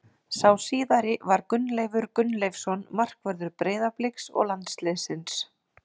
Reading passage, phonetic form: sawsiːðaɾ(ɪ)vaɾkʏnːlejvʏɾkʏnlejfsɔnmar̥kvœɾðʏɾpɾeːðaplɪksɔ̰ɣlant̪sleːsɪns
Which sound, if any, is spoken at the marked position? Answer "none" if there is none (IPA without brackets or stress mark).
ɪ